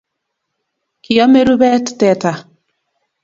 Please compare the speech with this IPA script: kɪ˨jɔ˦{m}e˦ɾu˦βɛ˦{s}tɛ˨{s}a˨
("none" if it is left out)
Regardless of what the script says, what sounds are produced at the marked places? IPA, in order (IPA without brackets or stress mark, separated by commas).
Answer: m, t, t